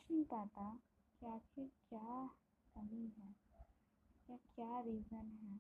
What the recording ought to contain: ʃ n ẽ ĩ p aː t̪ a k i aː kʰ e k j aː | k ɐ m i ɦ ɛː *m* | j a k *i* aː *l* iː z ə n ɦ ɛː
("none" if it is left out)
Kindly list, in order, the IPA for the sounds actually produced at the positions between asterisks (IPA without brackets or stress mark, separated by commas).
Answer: none, j, ɾ